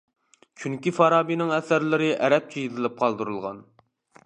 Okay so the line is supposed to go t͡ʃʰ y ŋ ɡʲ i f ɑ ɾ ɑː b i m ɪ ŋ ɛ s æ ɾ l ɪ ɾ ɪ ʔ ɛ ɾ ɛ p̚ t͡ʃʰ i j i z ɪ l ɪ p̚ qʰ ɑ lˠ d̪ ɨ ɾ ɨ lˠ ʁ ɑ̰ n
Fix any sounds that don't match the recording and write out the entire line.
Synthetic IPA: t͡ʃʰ y ŋ kʲ i f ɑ ɾ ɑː b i n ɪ ŋ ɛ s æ ɾ l ɪ ɾ ɪ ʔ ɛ ɾ ɛ p̚ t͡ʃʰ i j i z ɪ l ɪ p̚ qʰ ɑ lˠ d̪ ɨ ɾ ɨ lˠ ʁ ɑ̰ n